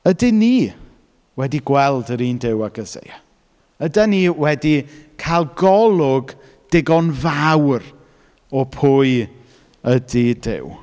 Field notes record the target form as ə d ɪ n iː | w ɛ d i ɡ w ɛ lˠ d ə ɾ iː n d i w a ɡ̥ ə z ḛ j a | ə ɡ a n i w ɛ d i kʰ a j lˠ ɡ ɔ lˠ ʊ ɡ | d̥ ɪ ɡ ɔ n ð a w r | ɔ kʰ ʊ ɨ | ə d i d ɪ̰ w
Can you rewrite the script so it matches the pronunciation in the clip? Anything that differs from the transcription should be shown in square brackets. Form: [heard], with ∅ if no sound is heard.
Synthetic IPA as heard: ə d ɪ n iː | w ɛ d i ɡ w ɛ lˠ d ə ɾ iː n d [ɪ] w a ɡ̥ ə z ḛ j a | ə [d] a n i w ɛ d i kʰ a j lˠ ɡ ɔ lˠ ʊ ɡ | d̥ ɪ ɡ ɔ n [v] a w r | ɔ [pʰ] ʊ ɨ | ə d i d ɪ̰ w